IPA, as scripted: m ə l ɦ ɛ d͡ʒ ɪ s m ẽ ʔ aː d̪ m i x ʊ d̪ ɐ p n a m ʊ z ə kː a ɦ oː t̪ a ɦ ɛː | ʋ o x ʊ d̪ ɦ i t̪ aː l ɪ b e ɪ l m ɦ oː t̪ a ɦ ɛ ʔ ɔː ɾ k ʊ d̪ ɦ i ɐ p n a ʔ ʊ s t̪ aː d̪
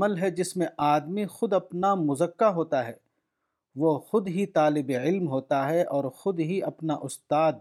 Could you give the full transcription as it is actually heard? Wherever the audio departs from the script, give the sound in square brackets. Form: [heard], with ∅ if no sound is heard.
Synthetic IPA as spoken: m ə l ɦ ɛ d͡ʒ ɪ s m ẽ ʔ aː d̪ m i x ʊ d̪ ɐ p n a m ʊ z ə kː a ɦ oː t̪ a ɦ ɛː | ʋ o x ʊ d̪ ɦ i t̪ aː l ɪ b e ɪ l m ɦ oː t̪ a ɦ ɛ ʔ ɔː ɾ [x] ʊ d̪ ɦ i ɐ p n a ʔ ʊ s t̪ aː d̪